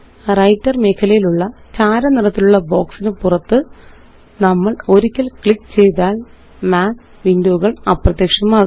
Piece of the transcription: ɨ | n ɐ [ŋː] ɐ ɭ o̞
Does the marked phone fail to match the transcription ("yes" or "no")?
yes